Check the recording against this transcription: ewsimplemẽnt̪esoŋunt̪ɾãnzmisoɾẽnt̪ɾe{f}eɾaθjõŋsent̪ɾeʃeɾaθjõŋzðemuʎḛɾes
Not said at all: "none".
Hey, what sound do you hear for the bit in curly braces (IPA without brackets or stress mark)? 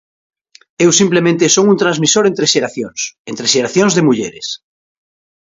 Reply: ʃ